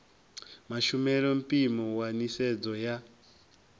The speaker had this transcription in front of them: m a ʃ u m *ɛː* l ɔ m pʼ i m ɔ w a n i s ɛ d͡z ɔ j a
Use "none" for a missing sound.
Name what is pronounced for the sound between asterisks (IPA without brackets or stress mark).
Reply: ɛ